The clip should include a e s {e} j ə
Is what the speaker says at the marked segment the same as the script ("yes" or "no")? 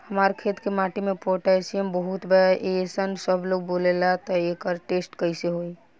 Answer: no